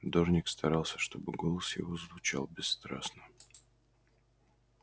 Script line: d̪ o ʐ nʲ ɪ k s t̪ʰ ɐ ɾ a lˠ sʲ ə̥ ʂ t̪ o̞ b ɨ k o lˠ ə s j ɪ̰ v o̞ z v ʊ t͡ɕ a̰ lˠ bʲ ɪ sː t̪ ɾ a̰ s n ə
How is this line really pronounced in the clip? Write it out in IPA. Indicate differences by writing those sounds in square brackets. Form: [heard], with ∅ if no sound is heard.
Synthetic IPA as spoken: d̪ o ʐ nʲ ɪ k s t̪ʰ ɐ ɾ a lˠ sʲ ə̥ ʂ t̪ o̞ b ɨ [ɡ] o lˠ ə s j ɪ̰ v o̞ z v ʊ t͡ɕ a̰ lˠ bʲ ɪ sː t̪ ɾ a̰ s n ə